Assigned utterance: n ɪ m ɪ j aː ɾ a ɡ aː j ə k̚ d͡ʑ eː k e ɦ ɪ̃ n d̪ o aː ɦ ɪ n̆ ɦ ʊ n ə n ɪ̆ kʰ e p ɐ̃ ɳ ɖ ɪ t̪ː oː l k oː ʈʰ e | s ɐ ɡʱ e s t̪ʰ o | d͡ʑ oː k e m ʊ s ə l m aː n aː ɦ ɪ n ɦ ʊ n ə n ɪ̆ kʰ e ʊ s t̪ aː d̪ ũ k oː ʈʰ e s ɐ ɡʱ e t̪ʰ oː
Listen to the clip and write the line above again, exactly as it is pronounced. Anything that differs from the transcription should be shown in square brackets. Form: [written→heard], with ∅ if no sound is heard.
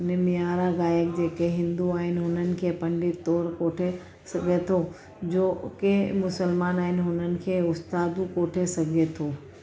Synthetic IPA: n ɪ m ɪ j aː ɾ a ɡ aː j ə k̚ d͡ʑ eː k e ɦ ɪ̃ n d̪ [o→u] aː ɦ ɪ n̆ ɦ ʊ n ə n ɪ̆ kʰ e p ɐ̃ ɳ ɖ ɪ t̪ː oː [l→ɾ] k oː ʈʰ e | s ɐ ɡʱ e [s→∅] t̪ʰ o | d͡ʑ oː k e m ʊ s ə l m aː n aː ɦ ɪ n ɦ ʊ n ə n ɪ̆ kʰ e ʊ s t̪ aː d̪ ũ k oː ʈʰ e s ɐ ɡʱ e t̪ʰ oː